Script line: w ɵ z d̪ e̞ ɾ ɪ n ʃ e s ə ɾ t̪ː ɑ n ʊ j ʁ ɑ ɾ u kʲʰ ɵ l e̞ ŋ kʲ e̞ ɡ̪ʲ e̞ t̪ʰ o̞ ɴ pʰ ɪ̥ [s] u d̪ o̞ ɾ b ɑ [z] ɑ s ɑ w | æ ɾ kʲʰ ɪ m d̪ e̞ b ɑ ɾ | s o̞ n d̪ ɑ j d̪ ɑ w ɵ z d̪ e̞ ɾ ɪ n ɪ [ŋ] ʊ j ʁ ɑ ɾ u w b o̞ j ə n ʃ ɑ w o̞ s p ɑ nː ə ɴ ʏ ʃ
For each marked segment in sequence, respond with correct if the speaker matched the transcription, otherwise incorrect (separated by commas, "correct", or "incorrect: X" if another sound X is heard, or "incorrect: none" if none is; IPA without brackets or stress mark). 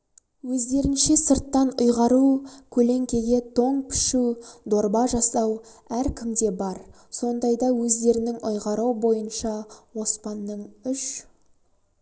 incorrect: ʃ, incorrect: ʒ, correct